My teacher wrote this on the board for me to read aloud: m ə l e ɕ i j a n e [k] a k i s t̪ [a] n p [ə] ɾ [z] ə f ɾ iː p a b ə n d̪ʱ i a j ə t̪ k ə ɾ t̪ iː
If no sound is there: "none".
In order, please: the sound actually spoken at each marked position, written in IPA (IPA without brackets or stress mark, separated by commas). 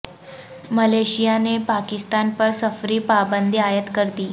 p, a, ə, s